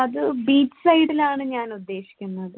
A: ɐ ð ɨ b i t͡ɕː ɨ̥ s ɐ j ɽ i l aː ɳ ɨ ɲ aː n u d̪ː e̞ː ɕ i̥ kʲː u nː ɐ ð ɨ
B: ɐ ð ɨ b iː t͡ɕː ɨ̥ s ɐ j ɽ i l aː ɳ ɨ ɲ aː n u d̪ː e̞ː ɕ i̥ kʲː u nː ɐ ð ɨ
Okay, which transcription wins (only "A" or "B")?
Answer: B